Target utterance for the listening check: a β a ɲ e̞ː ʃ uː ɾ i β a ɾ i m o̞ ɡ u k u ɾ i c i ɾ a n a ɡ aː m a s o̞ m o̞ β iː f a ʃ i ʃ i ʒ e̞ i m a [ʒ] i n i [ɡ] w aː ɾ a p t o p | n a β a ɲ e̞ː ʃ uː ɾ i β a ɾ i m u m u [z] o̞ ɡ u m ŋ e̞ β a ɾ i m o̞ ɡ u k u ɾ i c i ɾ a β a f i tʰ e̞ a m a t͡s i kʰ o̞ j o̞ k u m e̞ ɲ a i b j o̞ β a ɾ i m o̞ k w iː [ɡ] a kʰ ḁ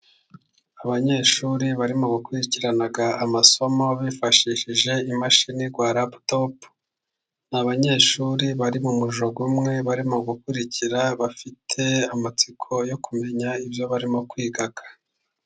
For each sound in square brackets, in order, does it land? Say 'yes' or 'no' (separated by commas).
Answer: no, yes, no, yes